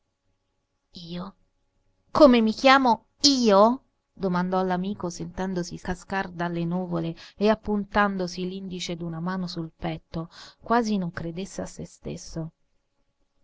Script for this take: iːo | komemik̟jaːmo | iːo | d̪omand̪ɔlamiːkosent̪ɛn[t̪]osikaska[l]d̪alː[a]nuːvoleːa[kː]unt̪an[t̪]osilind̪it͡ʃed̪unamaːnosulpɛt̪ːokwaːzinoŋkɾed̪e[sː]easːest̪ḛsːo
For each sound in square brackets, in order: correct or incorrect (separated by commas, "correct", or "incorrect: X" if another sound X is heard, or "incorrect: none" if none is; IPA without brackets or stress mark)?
incorrect: d̪, incorrect: r, incorrect: e, incorrect: pː, incorrect: d̪, correct